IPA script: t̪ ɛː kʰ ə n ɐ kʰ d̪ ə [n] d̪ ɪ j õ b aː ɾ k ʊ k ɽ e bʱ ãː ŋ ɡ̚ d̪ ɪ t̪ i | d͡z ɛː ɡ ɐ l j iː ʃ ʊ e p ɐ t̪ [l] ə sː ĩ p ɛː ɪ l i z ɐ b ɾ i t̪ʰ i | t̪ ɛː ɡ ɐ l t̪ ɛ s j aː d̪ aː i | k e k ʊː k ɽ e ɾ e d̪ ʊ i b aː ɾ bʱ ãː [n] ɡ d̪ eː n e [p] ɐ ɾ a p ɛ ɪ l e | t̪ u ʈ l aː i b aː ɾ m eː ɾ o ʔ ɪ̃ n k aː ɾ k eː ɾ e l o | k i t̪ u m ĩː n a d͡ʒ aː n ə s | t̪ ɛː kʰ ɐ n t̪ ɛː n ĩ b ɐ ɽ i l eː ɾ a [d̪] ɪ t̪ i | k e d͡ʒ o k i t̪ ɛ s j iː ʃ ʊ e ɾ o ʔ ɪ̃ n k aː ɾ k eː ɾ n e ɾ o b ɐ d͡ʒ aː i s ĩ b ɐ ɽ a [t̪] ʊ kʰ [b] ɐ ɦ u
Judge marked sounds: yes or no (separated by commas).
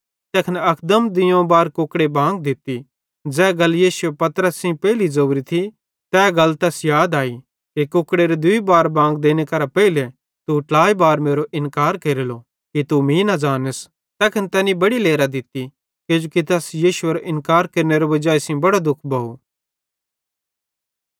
no, no, no, no, yes, no, yes